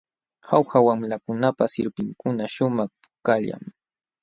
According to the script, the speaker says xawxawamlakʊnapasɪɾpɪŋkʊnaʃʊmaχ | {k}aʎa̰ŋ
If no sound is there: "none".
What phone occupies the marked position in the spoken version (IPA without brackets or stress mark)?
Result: k